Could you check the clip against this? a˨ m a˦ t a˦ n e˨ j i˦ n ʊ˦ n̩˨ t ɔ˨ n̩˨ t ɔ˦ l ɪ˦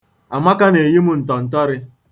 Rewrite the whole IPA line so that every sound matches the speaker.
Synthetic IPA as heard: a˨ m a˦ k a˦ n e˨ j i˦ m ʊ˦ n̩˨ t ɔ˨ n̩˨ t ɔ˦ ɾ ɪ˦